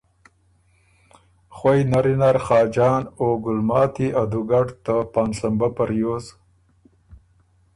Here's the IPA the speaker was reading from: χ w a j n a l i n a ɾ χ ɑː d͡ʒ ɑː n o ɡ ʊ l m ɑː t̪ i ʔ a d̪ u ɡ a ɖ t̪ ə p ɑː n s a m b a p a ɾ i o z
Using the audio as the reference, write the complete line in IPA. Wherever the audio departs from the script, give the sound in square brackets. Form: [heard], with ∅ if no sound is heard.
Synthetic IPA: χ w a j n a [ɾ] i n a ɾ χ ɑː d͡ʒ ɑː n o ɡ ʊ l m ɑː t̪ i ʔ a d̪ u ɡ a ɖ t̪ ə p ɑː n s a m b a p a ɾ [j] o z

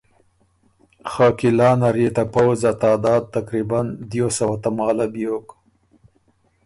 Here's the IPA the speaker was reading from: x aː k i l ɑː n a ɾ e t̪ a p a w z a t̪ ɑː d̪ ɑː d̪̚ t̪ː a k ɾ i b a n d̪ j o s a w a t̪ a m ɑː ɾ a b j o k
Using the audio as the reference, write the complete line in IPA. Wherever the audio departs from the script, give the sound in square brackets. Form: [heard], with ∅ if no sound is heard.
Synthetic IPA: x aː k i l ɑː n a ɾ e t̪ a p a w z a t̪ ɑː d̪ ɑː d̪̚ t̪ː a k ɾ i b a n d̪ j o s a w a t̪ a m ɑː [l] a b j o k

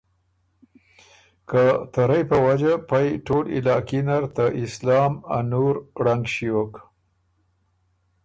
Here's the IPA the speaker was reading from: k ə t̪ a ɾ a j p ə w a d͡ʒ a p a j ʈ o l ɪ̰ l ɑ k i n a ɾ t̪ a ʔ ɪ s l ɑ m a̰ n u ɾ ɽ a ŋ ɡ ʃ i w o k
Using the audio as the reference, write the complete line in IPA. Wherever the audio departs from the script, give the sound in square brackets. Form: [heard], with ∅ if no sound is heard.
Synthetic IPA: k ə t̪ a ɾ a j p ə w a d͡ʒ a p a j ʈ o l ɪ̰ l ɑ k i n a ɾ t̪ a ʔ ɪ s l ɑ m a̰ n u ɾ ɽ a ŋ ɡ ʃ i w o k

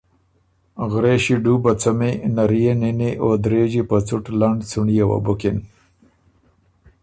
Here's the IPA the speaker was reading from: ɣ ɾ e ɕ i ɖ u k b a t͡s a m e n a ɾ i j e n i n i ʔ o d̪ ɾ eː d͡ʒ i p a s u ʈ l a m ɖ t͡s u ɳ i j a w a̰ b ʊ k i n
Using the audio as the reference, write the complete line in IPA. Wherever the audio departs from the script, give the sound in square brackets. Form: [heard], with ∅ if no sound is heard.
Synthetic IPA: ɣ ɾ e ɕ i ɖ u [∅] b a t͡s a m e n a ɾ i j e n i n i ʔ o d̪ ɾ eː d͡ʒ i p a [t͡s] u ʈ l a [ɳ] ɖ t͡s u ɳ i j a w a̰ b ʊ k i n

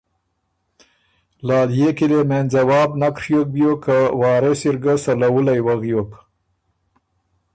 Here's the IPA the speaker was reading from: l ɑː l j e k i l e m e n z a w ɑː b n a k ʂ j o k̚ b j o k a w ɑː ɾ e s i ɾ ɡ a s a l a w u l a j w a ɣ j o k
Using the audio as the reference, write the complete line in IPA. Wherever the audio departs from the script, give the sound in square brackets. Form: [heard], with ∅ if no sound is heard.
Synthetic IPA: l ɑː l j e k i l e m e n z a w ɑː b n a k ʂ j o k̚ b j o k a w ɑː ɾ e s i ɾ ɡ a s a l a w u l a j w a ɣ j o k

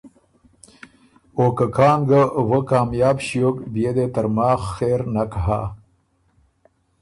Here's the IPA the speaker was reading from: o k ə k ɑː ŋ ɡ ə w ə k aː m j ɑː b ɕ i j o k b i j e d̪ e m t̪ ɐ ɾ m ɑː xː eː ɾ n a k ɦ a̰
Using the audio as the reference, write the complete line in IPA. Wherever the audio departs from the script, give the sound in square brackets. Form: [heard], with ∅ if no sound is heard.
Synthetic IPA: o k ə k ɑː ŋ ɡ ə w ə k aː m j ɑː b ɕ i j o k b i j e d̪ e [∅] t̪ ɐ ɾ m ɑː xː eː ɾ n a k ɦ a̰

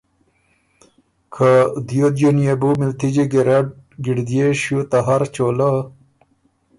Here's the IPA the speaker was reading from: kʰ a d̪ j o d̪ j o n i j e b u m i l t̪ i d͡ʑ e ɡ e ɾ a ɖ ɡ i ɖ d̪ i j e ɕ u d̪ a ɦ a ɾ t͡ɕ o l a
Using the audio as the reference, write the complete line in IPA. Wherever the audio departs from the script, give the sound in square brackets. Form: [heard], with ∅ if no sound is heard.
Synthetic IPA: kʰ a d̪ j o d̪ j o n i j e b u m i l t̪ i d͡ʑ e ɡ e ɾ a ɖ ɡ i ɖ d̪ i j e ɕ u [t̪] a ɦ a ɾ t͡ɕ o l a

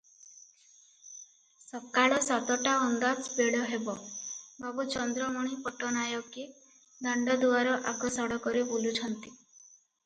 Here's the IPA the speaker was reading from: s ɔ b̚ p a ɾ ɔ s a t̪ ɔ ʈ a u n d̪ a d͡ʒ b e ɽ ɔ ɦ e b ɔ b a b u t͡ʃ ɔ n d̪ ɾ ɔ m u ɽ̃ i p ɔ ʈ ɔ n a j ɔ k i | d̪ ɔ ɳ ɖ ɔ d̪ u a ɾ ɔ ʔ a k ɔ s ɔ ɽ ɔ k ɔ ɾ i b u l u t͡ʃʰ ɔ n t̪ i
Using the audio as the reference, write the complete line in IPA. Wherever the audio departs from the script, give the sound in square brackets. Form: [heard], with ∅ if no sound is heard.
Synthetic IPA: s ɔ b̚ [k] a [ɭ] ɔ s a t̪ ɔ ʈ a [ɔ] n d̪ a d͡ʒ b e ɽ ɔ ɦ e b ɔ b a b u t͡ʃ ɔ n d̪ ɾ ɔ m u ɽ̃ i p ɔ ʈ ɔ n a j ɔ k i | d̪ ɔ ɳ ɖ ɔ d̪ u a ɾ ɔ ʔ a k ɔ s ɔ ɽ ɔ k ɔ ɾ i b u l u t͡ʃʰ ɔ n t̪ i

